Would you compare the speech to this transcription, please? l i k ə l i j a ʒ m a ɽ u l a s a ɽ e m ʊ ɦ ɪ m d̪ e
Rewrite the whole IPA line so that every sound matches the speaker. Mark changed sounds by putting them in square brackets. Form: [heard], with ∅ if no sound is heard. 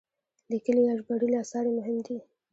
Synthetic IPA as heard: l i k ə l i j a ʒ [b] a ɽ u l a s [ɑ] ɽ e m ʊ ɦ ɪ m d̪ [i]